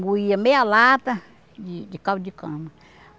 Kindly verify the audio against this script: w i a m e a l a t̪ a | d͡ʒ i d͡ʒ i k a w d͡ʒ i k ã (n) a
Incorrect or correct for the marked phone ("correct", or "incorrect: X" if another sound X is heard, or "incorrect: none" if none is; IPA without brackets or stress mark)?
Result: incorrect: m